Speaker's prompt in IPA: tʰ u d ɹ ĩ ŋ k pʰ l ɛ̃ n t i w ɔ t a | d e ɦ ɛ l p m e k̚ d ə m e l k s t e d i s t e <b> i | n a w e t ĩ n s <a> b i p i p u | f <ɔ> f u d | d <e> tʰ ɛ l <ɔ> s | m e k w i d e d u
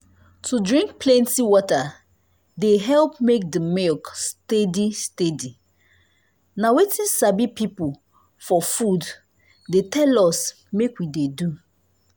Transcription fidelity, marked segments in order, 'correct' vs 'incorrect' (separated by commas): incorrect, correct, correct, correct, correct